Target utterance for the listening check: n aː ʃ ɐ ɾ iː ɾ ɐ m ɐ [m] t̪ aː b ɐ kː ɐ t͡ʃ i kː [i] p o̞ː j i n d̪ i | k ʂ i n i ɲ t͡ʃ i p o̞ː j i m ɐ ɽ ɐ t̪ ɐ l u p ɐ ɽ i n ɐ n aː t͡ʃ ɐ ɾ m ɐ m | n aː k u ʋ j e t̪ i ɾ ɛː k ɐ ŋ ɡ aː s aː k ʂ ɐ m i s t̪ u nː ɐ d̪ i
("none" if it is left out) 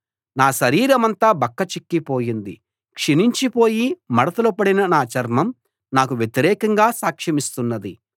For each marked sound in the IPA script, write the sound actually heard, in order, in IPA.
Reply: n, i

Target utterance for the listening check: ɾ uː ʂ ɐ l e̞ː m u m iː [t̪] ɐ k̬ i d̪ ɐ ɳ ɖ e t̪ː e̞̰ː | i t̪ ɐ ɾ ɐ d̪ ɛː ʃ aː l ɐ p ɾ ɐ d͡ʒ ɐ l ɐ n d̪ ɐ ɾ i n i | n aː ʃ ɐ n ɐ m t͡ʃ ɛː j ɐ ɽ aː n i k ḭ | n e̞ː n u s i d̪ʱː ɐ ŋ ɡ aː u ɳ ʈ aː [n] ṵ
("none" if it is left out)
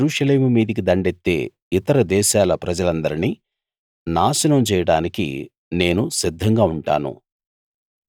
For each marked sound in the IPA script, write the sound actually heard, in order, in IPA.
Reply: d̪, n

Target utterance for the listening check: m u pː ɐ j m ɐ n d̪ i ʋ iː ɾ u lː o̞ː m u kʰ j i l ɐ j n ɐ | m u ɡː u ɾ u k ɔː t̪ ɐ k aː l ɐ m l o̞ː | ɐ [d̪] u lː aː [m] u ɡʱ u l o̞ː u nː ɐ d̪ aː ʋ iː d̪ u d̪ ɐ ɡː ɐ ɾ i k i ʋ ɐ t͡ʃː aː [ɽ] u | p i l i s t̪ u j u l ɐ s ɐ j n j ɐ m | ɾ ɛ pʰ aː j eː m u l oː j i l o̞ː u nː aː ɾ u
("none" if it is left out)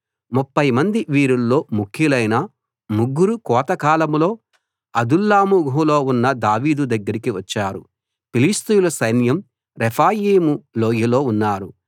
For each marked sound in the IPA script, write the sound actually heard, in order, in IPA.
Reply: d̪, m, ɾ

